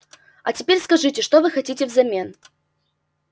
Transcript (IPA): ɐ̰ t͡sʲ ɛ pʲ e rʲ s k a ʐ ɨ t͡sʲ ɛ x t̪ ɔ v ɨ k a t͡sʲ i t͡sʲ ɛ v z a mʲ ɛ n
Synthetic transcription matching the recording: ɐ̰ t͡sʲ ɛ pʲ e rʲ s k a ʐ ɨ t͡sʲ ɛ ʂ t̪ ɔ v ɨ x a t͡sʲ i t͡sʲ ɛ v z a mʲ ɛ n

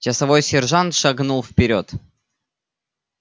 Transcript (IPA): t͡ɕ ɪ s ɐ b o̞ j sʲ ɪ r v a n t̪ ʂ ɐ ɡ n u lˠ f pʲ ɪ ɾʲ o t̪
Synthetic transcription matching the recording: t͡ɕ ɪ s ɐ v o̞ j sʲ ɪ r ʐ a n t̪ ʂ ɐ ɡ n u lˠ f pʲ ɪ ɾʲ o t̪

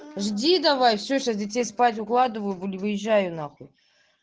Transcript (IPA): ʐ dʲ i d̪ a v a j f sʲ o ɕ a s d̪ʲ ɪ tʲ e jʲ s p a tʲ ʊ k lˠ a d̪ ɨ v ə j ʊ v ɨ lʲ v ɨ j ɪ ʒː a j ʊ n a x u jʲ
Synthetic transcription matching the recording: ʐ dʲ i d̪ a v a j f sʲ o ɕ a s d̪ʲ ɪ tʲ e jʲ s p a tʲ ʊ k lˠ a d̪ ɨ v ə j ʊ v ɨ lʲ v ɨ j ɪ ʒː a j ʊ n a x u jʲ

